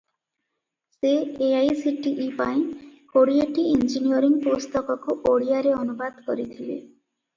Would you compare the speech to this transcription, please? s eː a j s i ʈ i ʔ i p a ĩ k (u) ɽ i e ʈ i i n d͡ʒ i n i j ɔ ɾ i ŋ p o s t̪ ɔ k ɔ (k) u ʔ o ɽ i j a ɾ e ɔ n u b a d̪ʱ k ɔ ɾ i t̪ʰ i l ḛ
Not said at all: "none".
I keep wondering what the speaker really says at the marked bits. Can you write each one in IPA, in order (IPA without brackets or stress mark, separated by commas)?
o, k